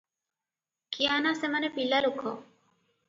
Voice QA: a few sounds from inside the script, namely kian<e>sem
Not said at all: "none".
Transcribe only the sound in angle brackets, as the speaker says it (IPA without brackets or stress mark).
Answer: a